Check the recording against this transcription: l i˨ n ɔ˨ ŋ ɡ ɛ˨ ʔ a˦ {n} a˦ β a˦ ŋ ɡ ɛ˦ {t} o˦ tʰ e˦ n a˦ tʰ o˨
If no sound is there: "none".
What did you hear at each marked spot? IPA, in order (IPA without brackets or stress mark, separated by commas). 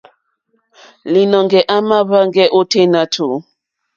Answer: m, ʔ